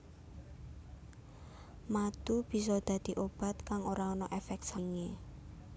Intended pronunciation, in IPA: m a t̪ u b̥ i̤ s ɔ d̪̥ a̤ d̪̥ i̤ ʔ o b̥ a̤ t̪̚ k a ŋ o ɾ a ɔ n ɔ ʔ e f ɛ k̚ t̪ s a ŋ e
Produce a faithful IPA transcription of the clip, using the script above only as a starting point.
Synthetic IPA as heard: m a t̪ u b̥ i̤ s ɔ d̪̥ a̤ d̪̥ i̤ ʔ o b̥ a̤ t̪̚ k a ŋ o ɾ a ɔ n ɔ ʔ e f ɛ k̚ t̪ s a ŋ e